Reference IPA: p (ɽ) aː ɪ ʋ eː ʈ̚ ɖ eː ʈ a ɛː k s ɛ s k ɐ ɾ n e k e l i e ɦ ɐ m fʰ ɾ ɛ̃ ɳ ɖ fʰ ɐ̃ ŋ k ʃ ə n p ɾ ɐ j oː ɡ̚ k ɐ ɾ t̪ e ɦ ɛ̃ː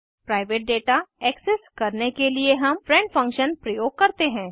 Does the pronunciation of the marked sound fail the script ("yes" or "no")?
yes